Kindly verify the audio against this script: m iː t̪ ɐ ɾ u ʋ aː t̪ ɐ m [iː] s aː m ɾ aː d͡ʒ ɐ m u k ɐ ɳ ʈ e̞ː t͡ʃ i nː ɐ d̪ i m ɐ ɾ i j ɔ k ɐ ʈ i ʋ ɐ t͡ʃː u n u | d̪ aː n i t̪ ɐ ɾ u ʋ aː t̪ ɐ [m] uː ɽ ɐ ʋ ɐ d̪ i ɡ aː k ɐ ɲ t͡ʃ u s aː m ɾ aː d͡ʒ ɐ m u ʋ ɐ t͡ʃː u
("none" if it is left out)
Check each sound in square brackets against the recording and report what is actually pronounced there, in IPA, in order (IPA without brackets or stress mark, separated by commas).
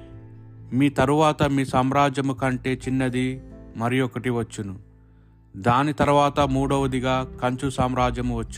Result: iː, m